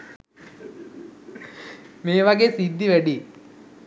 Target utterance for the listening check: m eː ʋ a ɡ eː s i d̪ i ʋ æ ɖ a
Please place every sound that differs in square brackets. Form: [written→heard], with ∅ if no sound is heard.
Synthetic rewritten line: m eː ʋ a ɡ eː s i [d̪→d̪ː] i ʋ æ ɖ [a→i]

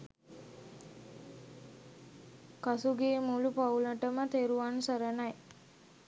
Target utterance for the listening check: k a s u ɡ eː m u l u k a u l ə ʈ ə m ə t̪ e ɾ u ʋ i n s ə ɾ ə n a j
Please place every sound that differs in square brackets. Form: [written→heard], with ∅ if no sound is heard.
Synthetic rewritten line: k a s u ɡ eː m u l u [k→p] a u l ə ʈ ə m ə t̪ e ɾ u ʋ [i→a] n s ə ɾ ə n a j

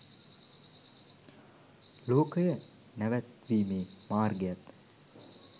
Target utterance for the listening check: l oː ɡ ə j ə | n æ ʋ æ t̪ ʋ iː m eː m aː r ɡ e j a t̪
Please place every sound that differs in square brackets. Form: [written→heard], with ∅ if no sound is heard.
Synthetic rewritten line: l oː [ɡ→k] ə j ə | n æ ʋ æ t̪ ʋ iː m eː m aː r ɡ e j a t̪

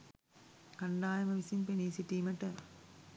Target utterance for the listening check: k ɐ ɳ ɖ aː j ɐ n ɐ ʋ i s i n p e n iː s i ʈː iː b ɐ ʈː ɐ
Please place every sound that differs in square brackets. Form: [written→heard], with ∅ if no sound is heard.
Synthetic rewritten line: k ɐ ɳ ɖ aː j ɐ [n→m] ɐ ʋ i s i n p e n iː s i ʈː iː [b→m] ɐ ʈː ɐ

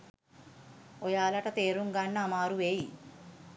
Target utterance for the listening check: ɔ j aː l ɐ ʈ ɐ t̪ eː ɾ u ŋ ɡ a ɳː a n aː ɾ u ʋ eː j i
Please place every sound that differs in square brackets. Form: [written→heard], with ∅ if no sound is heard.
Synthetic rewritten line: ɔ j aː l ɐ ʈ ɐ t̪ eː ɾ u ŋ ɡ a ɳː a [n→m] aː ɾ u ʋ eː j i

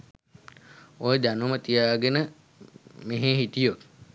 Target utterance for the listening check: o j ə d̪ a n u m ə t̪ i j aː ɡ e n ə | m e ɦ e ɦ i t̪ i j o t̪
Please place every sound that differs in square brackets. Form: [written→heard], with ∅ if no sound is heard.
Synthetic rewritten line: o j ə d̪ a n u m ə t̪ i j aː ɡ e n ə | m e ɦ e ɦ i t̪ i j o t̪

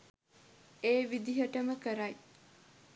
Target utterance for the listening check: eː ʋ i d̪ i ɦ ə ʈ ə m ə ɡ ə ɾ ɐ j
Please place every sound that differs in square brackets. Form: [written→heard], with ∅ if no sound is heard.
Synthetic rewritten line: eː ʋ i d̪ i ɦ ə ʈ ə m ə [ɡ→k] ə ɾ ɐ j

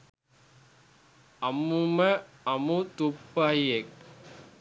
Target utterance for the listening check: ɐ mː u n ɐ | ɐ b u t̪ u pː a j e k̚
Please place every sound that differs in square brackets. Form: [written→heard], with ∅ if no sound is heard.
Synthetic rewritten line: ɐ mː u [n→m] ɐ | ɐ [b→m] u t̪ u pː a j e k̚

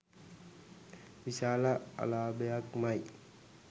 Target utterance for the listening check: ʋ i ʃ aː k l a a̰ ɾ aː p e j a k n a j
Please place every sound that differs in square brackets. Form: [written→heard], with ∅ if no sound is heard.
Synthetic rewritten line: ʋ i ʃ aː [k→∅] l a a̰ [ɾ→l] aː [p→b] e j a k [n→m] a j

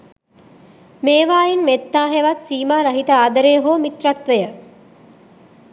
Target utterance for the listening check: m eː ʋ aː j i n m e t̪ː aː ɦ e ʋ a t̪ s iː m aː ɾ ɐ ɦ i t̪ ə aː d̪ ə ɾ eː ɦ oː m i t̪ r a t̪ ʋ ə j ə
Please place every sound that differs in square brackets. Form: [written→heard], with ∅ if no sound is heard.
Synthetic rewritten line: m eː ʋ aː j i n m e t̪ː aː ɦ e ʋ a t̪ s iː m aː ɾ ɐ ɦ i t̪ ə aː d̪ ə ɾ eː ɦ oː m i t̪ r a t̪ ʋ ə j ə

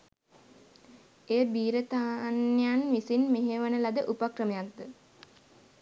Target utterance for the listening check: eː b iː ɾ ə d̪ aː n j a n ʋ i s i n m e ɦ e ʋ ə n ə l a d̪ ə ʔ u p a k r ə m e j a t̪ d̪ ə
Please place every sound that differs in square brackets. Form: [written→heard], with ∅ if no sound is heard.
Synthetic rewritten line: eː b iː ɾ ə [d̪→t̪] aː n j a n ʋ i s i n m e ɦ e ʋ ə n ə l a d̪ ə ʔ u p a k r ə m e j a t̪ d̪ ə

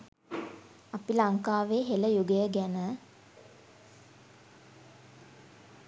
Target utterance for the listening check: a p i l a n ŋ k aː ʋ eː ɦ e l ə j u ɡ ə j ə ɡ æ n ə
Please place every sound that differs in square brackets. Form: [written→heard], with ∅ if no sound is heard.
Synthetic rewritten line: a p i l a [n→∅] ŋ k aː ʋ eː ɦ e l ə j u ɡ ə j ə ɡ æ n ə

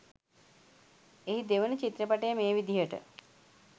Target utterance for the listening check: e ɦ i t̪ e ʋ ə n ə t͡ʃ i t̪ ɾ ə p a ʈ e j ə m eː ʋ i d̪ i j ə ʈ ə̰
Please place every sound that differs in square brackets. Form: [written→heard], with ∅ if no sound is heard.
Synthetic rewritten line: e ɦ i [t̪→d̪] e ʋ ə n ə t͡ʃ i t̪ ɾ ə p a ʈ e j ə m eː ʋ i d̪ i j ə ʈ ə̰

